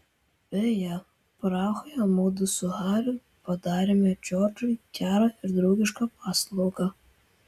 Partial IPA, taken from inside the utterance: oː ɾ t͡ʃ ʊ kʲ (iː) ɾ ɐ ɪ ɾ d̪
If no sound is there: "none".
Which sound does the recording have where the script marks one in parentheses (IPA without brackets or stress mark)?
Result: æː